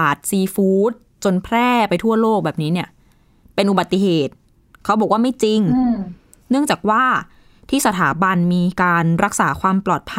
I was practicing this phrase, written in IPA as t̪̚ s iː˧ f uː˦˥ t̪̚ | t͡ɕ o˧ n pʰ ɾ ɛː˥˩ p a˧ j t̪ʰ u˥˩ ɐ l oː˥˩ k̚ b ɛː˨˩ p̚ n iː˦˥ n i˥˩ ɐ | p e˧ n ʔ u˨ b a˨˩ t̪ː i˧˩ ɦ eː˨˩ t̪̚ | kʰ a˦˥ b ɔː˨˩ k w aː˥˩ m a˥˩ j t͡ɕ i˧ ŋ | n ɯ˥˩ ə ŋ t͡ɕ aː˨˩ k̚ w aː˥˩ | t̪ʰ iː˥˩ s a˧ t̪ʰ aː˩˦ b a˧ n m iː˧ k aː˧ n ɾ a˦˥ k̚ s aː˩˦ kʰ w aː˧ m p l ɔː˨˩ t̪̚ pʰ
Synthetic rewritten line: t̪̚ s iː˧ f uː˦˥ t̪̚ | t͡ɕ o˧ n pʰ ɾ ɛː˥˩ p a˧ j t̪ʰ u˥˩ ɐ l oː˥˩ k̚ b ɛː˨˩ p̚ n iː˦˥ n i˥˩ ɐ | p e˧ n ʔ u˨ b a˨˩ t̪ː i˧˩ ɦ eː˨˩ t̪̚ | kʰ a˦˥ b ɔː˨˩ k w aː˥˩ m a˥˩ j t͡ɕ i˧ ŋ | n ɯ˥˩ ə ŋ t͡ɕ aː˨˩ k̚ w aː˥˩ | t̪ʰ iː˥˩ s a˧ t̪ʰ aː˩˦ b a˧ n m iː˧ k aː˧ n ɾ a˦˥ k̚ s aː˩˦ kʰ w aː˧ m p l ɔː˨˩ t̪̚ pʰ